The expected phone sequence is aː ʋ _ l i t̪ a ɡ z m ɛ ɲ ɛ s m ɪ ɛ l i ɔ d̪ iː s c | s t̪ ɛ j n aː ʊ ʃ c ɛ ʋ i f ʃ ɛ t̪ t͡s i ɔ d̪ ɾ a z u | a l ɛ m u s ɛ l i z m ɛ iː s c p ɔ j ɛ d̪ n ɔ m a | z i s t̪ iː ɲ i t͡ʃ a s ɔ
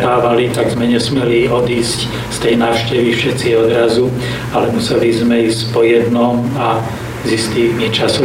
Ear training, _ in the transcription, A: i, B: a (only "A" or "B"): B